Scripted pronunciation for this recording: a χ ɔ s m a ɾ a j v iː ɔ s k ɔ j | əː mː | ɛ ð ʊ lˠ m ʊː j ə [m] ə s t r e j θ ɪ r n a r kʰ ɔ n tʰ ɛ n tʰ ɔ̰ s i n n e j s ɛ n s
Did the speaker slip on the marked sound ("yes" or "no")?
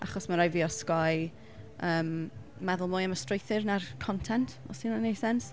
no